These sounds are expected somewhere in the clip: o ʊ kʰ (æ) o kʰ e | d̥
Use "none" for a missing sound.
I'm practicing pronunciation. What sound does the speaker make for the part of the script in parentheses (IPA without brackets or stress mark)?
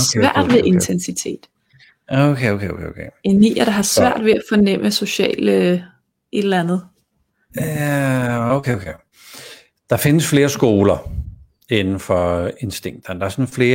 e